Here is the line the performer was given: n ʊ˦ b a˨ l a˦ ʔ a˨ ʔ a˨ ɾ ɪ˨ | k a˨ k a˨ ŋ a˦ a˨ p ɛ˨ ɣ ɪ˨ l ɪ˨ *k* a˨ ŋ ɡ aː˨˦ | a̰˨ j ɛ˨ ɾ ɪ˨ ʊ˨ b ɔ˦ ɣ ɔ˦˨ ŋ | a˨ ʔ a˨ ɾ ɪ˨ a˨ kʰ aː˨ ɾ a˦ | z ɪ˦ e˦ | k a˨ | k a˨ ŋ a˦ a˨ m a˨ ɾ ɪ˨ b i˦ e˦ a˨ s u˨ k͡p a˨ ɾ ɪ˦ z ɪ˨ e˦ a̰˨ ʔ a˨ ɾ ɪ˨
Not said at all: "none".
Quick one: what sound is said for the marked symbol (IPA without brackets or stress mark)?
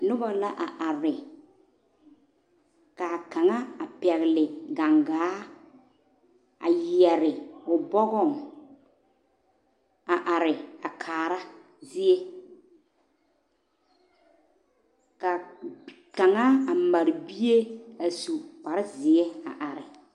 ɡ